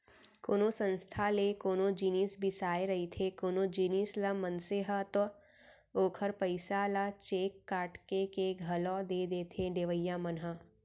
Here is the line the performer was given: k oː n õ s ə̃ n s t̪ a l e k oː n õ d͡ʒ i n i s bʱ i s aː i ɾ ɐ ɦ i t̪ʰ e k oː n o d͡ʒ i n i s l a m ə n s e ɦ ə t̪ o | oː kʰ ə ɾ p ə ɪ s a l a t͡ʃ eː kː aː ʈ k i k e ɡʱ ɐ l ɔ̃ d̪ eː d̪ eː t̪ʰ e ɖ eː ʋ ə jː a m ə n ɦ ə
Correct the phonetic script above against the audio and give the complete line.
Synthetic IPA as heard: k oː n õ s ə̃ n s t̪ʰ a l e k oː n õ d͡ʒ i n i s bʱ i s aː e ɾ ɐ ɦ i t̪ʰ e k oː n o d͡ʒ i n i s l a m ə n s e ɦ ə t̪ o | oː kʰ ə ɾ p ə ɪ s a l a t͡ʃ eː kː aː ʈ k e k e ɡʱ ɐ l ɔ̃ d̪ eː d̪ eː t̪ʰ e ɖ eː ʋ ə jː a m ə n ɦ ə